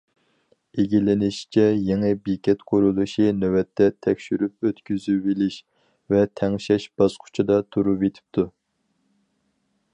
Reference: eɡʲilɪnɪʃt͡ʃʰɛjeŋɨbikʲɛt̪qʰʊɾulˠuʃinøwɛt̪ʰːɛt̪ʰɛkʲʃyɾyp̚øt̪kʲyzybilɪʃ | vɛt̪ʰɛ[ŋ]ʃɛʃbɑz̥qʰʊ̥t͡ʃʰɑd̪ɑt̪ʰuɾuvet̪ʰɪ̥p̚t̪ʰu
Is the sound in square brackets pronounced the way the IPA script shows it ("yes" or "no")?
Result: yes